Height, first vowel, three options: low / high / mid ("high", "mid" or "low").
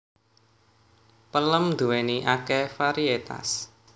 mid